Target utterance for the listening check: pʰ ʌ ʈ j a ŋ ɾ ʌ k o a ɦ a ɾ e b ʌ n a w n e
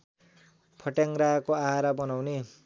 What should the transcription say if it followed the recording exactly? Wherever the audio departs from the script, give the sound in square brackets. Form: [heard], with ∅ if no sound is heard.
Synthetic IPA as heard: pʰ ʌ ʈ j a ŋ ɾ [a] k o a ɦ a ɾ [a] b ʌ n a w n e